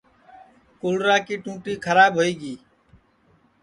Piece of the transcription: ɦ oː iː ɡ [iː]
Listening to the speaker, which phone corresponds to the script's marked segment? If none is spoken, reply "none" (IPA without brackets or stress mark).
iː